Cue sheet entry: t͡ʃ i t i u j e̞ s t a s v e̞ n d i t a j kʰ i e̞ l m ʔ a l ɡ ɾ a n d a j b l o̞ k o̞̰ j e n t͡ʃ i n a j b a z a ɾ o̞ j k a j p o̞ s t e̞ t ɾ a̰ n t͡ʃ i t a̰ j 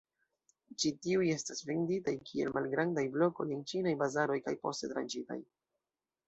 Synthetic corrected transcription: t͡ʃ i t i u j e̞ s t a s v e̞ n d i t a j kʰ i e̞ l m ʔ a l ɡ ɾ a n d a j b l o̞ k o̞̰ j e n t͡ʃ i n a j b a z a ɾ o̞ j k a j p o̞ s t e̞ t ɾ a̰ n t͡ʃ i t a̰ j